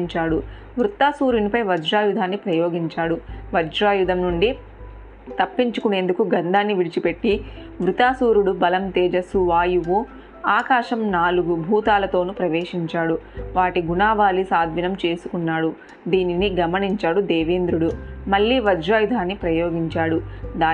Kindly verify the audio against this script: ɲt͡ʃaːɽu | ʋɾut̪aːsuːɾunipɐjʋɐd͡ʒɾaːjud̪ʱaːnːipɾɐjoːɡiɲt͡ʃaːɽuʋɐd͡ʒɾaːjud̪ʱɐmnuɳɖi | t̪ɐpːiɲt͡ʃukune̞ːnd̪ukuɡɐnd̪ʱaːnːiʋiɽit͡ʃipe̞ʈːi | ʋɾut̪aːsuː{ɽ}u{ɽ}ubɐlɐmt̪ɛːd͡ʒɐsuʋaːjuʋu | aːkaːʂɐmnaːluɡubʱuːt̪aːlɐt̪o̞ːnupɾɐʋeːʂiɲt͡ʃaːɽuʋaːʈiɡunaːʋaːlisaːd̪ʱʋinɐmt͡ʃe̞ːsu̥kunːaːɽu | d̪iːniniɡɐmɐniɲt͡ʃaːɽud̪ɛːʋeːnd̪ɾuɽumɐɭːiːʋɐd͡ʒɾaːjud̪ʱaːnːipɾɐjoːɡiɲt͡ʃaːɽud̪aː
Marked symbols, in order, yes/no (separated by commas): no, yes